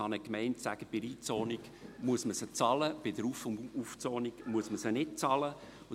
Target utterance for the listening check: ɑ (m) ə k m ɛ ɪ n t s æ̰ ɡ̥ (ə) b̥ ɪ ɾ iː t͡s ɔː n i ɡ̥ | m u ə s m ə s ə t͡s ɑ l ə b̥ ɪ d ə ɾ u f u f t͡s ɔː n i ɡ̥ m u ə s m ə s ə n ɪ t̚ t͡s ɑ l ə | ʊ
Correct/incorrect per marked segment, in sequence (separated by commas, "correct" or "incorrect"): incorrect, correct